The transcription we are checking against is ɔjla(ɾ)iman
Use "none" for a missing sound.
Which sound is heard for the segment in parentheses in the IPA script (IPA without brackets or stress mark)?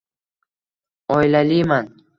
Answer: l